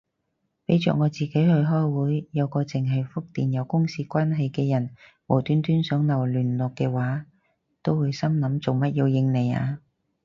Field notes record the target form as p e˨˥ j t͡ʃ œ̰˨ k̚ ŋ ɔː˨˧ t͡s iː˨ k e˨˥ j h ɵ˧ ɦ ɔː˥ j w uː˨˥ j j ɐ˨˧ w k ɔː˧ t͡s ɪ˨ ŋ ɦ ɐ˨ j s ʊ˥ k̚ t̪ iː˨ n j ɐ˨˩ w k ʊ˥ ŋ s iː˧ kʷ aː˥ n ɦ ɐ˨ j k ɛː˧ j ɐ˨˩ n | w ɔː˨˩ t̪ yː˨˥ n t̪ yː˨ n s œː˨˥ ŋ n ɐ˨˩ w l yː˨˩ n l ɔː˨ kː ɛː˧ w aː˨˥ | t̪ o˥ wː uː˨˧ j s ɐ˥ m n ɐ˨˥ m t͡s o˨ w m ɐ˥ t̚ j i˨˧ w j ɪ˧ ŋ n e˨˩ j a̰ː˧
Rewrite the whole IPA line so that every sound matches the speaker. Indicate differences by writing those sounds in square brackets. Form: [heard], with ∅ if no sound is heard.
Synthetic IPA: p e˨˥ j t͡ʃ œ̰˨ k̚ ŋ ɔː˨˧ t͡s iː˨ k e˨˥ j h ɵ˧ ɦ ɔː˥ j w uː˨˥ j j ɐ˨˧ w k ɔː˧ t͡s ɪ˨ ŋ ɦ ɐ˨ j [f] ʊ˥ k̚ t̪ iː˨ n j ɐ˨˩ w k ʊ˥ ŋ s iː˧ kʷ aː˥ n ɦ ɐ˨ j k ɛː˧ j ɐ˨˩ n | w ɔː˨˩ t̪ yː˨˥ n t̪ [yː˥] n s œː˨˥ ŋ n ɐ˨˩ w l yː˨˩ n l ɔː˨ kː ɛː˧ w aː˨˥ | t̪ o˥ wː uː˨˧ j s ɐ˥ m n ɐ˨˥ m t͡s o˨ w m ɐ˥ t̚ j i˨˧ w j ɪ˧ ŋ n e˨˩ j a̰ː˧